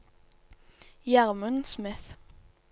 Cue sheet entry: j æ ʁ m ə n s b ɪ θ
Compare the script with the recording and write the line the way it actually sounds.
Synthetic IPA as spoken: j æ ʁ m ə n s m ɪ θ